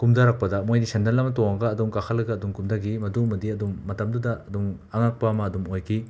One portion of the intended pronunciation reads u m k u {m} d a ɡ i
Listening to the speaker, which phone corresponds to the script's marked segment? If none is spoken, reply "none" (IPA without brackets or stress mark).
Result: m